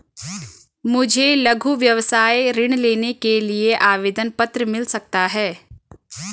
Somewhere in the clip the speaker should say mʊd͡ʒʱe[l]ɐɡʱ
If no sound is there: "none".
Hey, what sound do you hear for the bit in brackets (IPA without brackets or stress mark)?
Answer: l